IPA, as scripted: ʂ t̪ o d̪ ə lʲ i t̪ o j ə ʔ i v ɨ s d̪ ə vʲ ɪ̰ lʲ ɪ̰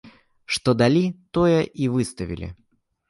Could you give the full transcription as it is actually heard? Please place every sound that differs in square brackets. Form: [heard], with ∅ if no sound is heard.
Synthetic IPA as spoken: ʂ t̪ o d̪ [ɐ] lʲ i t̪ o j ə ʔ i v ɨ s [t̪] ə vʲ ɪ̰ lʲ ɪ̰